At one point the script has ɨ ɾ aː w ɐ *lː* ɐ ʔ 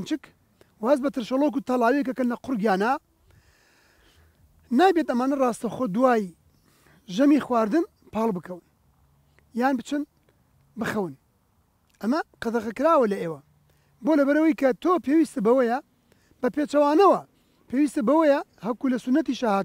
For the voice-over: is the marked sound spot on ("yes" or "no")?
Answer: no